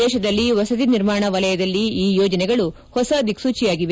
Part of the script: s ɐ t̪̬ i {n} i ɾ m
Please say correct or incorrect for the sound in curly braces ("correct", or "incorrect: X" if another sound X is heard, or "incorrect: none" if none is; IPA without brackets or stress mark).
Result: correct